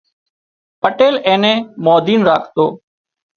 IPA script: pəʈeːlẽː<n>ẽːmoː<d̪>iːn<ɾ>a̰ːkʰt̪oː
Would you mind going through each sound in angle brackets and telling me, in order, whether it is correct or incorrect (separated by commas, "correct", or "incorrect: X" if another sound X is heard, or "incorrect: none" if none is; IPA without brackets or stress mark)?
correct, correct, correct